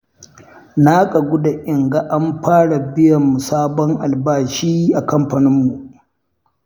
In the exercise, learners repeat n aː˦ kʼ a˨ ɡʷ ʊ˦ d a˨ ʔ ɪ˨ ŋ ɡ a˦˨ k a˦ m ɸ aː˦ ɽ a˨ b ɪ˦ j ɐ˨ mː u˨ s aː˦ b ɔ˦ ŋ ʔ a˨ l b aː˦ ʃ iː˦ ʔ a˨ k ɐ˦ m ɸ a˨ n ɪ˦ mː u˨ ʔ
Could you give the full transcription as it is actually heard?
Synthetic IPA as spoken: n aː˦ kʼ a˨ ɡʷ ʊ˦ d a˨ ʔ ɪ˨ ŋ ɡ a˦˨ ʔ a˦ m ɸ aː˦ ɽ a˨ b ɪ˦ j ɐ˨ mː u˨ s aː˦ b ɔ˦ ŋ ʔ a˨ l b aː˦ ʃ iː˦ ʔ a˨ k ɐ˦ m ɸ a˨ n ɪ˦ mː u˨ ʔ